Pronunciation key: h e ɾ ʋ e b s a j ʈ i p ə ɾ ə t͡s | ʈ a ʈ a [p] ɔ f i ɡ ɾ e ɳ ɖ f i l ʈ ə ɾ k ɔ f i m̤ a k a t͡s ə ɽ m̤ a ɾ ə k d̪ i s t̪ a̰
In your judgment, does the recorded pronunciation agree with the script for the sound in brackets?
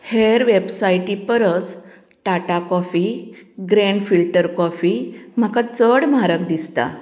no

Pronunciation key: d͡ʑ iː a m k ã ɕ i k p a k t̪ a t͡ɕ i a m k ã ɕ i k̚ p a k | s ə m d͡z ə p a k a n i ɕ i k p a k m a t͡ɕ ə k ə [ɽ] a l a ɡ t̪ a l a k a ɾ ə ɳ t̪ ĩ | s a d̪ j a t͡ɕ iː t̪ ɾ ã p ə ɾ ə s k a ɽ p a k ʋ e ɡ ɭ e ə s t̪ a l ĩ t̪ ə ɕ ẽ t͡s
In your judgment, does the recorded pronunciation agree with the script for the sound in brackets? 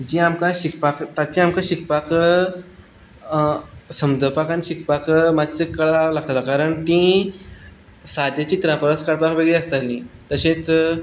no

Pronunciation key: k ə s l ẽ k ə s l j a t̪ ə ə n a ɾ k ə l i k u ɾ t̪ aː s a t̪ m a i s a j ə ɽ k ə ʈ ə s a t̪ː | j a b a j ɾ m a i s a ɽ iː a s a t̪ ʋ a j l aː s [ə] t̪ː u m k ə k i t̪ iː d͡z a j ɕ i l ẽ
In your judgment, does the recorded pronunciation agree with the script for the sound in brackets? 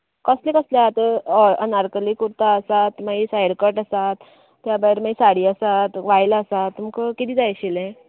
no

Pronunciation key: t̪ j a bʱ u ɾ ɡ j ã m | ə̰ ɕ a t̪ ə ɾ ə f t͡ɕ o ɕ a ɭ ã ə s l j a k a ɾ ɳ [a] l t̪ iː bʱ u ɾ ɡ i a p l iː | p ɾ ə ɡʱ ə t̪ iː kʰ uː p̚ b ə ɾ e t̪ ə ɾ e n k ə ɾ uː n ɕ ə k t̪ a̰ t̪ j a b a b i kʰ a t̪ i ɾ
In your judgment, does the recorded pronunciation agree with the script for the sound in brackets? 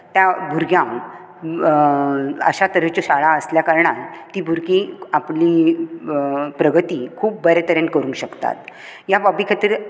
yes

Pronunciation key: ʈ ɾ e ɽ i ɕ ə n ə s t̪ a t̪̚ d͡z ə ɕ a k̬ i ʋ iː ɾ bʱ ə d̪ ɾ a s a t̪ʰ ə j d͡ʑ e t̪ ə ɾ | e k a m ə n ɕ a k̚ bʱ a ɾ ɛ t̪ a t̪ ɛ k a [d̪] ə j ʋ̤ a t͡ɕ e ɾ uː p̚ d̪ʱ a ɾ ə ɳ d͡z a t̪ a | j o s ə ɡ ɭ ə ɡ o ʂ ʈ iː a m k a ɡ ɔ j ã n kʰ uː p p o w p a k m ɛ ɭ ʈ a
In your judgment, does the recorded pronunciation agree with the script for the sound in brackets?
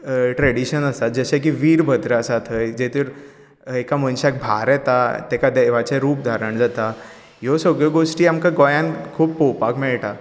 yes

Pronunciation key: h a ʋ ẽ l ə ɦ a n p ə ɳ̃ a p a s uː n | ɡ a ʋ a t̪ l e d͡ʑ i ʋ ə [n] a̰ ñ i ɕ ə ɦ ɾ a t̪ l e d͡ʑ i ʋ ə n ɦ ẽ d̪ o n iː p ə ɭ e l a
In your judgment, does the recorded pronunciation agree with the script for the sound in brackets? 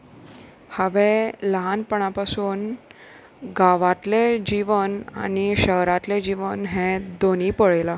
yes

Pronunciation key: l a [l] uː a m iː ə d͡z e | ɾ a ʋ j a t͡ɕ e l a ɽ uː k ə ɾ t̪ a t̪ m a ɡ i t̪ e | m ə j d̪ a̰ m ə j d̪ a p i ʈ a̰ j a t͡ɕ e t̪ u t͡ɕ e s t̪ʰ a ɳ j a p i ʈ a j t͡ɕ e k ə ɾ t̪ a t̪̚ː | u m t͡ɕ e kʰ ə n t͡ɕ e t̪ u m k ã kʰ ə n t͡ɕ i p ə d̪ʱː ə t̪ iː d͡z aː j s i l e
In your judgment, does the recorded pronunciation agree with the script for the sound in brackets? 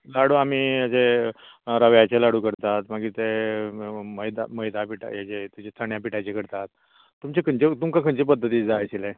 no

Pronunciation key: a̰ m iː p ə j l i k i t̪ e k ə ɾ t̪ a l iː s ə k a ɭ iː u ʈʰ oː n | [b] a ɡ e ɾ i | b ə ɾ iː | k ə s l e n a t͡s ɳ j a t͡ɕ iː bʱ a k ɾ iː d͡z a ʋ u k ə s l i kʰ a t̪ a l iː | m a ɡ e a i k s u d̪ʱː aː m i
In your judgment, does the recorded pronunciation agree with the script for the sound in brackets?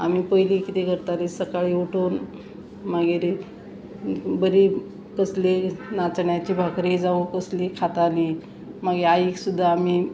no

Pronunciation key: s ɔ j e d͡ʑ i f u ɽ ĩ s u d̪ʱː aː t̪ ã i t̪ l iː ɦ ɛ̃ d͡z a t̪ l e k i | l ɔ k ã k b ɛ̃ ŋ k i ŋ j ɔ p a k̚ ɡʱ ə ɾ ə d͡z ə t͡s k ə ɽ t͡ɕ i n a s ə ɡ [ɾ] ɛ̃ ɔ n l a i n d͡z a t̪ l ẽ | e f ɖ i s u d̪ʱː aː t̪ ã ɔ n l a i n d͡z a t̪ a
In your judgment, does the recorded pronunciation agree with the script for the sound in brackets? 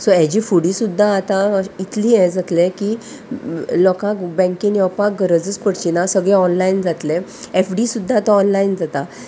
no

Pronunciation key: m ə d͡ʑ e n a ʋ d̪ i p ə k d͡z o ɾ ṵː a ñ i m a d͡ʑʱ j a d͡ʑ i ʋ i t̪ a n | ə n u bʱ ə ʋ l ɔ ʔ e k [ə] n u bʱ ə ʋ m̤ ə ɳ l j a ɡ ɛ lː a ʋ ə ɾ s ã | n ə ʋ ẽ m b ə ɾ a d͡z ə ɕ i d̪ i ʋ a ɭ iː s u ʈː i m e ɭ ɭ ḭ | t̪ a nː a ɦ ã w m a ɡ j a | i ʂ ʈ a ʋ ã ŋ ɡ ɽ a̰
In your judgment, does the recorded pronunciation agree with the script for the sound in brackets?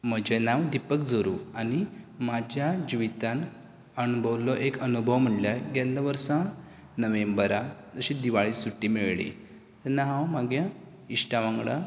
yes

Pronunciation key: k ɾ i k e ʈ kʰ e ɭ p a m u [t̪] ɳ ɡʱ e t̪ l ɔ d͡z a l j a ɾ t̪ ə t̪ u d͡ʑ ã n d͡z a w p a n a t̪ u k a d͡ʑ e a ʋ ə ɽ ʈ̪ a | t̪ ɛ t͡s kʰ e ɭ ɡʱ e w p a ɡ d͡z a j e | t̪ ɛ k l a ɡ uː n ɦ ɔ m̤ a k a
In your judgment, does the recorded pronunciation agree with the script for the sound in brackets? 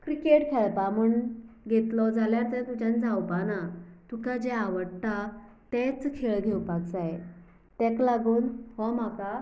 no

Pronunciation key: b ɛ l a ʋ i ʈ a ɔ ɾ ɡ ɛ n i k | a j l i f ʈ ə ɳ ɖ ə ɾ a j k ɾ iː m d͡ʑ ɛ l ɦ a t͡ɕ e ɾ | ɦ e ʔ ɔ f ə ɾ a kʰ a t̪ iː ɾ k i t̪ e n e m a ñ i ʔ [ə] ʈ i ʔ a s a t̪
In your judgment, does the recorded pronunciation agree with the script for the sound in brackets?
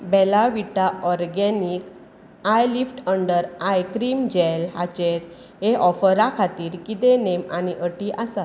yes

